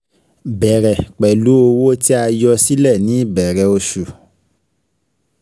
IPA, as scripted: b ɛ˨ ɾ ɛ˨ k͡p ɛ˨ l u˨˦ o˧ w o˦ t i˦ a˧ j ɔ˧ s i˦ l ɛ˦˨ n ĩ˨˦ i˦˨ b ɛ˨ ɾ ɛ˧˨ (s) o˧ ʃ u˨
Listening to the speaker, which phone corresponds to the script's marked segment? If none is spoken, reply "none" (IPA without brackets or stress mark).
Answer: none